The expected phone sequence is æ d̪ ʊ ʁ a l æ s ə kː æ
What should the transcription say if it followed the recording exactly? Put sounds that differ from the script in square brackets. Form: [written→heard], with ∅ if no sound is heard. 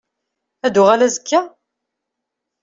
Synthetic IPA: æ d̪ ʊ ʁ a l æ [s→z] ə kː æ

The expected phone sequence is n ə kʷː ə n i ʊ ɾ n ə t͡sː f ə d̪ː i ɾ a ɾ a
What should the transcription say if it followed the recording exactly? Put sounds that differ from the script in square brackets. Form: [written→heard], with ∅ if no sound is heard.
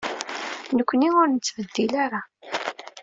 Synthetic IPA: n ə kʷː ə n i ʊ ɾ n ə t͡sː [f→v] ə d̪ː i [ɾ→l] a ɾ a

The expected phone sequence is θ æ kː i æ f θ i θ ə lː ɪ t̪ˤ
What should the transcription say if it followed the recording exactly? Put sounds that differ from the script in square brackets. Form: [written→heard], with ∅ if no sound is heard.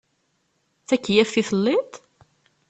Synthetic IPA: θ æ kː [i→j] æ f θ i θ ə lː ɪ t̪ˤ

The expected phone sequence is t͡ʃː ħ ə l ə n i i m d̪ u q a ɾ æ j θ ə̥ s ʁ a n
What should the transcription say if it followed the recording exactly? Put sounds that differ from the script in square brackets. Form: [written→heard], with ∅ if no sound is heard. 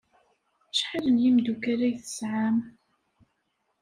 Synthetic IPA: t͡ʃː ħ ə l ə n [i→j] i m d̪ u [q→k] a ɾ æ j θ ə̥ s [ʁ→ʕ] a [n→m]

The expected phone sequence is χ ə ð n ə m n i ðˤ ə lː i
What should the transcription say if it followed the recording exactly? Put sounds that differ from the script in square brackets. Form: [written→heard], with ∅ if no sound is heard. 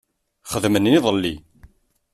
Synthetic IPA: χ ə ð [n→m] ə [m→n] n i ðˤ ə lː i

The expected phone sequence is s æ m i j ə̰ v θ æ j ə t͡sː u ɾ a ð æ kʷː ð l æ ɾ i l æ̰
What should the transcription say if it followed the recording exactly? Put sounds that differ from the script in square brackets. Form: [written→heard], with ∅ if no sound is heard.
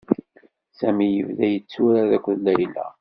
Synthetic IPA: s æ m i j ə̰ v [θ→ð] æ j ə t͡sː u ɾ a ð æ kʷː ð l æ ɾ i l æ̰

